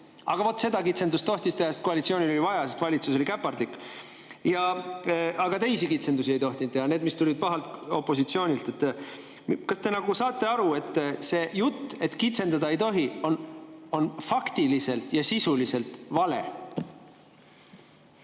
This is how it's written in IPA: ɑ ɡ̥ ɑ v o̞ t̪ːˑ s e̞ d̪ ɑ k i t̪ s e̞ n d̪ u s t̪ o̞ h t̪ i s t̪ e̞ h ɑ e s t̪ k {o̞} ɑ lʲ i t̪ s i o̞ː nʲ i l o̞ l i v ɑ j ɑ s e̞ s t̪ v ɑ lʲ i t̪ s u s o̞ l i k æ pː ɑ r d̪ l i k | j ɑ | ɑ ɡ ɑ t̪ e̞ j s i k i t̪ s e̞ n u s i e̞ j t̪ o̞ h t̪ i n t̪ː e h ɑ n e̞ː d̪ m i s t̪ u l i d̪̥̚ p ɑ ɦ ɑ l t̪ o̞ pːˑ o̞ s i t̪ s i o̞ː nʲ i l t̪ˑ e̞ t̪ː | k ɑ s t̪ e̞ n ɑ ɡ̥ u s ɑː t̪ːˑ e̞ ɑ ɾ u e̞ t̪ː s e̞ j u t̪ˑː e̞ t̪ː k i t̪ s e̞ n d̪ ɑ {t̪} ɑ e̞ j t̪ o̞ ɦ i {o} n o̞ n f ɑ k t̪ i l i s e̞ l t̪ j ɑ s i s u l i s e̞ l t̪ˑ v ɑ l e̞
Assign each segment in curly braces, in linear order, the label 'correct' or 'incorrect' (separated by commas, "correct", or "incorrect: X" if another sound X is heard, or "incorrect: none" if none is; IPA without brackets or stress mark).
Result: correct, incorrect: d̪, correct